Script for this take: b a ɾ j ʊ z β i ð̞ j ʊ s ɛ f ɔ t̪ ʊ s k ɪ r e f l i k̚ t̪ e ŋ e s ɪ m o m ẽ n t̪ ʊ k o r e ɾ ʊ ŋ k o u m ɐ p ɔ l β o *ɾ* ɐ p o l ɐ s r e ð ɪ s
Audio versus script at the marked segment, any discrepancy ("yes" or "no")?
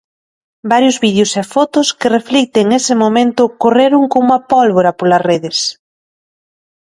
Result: no